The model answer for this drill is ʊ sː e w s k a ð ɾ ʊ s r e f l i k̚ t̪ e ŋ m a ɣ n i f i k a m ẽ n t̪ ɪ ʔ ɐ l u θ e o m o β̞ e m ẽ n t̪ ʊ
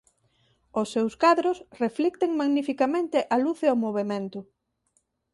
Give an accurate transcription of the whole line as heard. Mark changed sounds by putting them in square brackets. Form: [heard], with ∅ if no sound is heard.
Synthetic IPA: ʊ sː e w s k a ð ɾ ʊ s r e f l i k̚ t̪ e ŋ m a ɣ n i f i k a m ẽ n t̪ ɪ ʔ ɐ l u θ e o m o β̞ e m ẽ n t̪ ʊ